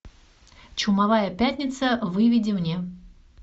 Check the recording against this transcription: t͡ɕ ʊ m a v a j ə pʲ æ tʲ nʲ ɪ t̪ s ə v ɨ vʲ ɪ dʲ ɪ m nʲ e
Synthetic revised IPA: t͡ɕ ʊ m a v a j ə pʲ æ tʲ nʲ ɪ t̪ s ə v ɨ vʲ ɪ dʲ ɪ m nʲ e